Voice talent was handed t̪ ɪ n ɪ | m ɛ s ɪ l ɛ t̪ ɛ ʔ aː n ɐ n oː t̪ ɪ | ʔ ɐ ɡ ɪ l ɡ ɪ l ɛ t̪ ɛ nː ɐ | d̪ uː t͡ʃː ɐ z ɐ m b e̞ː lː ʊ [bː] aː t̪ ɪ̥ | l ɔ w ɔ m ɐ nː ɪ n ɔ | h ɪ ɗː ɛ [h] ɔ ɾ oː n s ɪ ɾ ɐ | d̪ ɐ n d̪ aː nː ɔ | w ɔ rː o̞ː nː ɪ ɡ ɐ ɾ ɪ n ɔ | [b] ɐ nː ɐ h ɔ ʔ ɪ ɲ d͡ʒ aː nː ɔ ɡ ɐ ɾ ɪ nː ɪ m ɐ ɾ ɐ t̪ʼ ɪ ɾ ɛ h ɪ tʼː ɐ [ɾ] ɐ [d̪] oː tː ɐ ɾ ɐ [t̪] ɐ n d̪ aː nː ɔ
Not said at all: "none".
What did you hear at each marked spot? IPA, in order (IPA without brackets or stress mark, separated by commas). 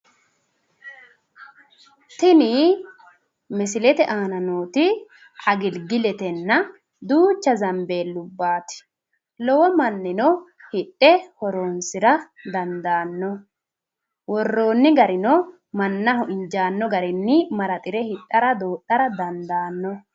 bː, h, m, ɾ, d̪, d̪